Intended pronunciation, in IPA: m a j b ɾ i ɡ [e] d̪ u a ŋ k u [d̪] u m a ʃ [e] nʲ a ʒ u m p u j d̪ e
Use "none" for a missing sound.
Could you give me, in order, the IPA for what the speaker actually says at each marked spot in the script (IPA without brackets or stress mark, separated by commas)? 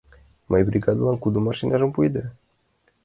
a, d̪, i